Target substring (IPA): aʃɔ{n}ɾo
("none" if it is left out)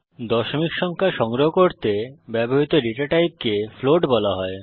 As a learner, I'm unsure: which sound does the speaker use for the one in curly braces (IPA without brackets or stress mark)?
ŋ